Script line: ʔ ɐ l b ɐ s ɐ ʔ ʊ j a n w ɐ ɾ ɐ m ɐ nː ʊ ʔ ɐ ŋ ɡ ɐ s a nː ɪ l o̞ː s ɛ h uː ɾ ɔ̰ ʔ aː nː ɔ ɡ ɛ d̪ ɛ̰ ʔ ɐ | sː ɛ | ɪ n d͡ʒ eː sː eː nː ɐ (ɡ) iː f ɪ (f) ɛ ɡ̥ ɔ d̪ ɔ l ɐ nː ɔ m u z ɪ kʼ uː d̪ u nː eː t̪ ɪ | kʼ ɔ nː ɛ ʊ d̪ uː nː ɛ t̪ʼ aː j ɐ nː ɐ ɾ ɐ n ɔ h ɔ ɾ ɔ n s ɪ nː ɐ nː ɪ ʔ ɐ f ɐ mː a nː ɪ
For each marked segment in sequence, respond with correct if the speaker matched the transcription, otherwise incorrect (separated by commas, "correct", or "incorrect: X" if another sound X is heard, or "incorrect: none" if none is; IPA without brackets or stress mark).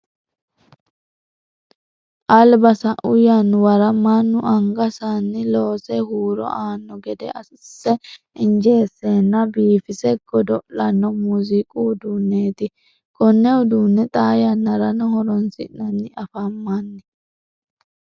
incorrect: b, incorrect: s